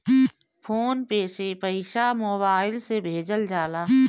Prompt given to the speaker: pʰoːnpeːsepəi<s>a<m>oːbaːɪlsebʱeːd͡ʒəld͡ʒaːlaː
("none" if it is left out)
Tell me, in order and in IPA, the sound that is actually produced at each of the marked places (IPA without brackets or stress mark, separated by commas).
ʃ, m